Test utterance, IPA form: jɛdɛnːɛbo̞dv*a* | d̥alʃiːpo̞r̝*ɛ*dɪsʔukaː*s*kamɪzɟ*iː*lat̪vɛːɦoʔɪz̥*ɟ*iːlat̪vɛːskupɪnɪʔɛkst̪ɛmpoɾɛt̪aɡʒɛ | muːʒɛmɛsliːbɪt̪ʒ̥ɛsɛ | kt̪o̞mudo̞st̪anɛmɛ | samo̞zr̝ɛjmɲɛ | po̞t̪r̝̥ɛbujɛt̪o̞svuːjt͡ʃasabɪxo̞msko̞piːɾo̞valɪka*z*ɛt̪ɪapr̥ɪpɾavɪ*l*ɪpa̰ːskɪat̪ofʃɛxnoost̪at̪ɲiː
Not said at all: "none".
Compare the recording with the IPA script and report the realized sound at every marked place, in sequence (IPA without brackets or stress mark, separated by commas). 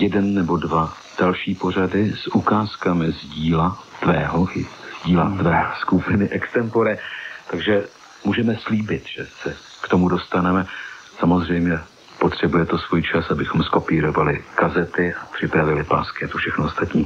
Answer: a, a, s, iː, ɟ, z, l